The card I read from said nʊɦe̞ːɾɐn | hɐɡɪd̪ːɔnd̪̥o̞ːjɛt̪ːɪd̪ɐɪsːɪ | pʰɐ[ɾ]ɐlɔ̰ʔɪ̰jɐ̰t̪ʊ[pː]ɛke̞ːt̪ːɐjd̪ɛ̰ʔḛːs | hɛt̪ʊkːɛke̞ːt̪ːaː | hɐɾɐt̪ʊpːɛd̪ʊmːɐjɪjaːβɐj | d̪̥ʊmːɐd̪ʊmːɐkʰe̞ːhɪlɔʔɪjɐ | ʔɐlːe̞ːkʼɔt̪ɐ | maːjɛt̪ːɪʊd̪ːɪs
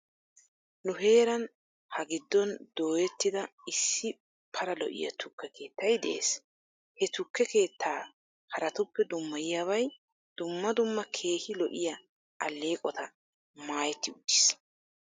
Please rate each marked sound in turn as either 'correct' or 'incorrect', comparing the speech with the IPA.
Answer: correct, incorrect: kː

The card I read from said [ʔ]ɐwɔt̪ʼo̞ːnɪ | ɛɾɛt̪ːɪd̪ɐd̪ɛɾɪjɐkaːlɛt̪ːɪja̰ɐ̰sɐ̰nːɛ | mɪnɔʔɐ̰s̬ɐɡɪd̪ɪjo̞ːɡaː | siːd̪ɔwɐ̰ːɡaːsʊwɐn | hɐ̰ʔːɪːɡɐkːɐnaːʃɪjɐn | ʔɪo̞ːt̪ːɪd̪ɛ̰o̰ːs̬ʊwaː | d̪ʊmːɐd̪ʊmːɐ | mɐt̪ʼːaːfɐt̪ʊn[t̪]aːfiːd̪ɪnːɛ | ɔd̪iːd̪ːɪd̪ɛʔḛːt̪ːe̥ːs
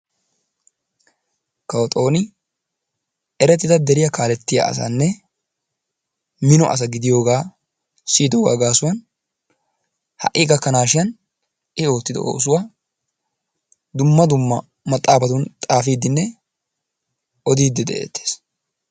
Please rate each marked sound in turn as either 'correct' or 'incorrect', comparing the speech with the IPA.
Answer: incorrect: k, incorrect: t̪ʼ

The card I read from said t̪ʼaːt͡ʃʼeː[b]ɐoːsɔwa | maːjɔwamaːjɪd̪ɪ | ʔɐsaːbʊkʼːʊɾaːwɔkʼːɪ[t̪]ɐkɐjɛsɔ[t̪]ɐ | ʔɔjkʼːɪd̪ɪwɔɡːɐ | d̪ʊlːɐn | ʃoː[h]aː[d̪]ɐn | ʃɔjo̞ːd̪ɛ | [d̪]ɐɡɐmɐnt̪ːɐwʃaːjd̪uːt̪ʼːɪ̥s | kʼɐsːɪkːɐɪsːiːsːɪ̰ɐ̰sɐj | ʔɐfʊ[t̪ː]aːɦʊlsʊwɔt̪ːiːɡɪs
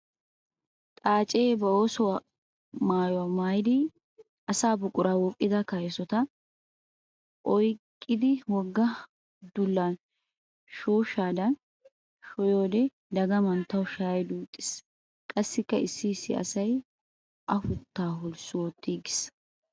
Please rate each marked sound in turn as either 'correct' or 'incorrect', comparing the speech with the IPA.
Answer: correct, incorrect: d̪, correct, incorrect: ʃ, correct, correct, correct

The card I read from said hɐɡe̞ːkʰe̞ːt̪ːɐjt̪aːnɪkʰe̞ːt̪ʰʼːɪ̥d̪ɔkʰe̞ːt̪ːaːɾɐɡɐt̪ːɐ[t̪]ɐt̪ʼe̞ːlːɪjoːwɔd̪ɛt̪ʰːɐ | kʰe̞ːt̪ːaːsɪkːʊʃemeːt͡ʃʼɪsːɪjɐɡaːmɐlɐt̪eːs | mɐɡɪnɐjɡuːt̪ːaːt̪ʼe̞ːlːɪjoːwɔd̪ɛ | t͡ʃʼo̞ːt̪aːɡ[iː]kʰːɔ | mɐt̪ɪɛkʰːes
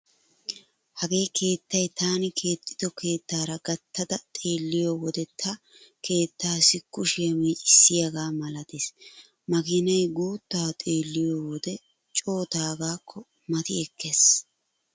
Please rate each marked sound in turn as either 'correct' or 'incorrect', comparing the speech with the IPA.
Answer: incorrect: d̪, incorrect: aː

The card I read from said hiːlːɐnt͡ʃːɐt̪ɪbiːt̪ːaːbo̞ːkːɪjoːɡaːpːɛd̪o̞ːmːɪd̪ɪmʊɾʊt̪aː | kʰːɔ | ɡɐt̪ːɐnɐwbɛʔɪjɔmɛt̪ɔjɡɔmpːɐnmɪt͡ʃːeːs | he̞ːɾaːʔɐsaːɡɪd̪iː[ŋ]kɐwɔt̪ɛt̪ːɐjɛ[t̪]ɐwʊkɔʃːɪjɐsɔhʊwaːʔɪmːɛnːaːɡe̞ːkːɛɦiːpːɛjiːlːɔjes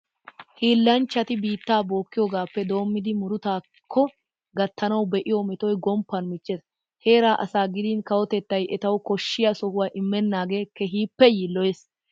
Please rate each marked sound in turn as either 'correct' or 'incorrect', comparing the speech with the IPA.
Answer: incorrect: n, correct

